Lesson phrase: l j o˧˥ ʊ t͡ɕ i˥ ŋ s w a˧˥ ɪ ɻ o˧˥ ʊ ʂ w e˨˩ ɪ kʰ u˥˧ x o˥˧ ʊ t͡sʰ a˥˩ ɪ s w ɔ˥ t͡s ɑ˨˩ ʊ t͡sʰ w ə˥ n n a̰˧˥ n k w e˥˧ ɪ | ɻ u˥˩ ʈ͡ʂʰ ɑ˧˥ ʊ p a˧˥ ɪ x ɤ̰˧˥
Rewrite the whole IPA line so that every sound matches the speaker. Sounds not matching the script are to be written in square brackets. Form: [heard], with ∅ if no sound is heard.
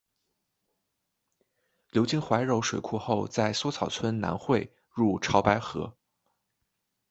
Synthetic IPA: l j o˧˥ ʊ t͡ɕ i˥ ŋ [x] w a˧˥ ɪ ɻ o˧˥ ʊ ʂ w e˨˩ ɪ kʰ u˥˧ x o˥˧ ʊ [t͡s] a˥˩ ɪ s w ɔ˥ [t͡sʰ] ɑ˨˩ ʊ t͡sʰ w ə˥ n n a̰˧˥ n [x] w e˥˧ ɪ | ɻ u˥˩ ʈ͡ʂʰ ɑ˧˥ ʊ p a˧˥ ɪ x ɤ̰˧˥